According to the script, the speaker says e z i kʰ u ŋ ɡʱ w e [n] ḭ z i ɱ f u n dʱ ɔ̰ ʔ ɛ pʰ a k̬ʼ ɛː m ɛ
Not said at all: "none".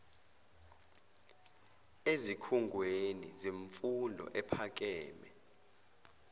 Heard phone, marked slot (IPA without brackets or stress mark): n